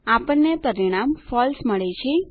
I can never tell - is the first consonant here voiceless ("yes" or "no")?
yes